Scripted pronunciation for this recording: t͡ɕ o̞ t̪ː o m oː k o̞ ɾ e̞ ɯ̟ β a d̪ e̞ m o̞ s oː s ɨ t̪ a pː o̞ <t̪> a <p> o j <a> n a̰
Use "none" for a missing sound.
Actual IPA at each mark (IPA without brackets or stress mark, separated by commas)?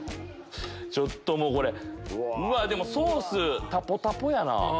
t̪, p, a